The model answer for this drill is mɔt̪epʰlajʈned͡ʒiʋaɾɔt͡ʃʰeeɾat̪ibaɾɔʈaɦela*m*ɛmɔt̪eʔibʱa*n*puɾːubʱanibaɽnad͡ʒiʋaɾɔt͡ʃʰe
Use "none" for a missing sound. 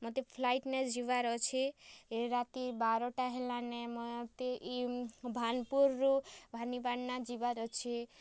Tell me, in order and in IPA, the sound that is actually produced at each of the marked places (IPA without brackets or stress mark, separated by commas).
n, n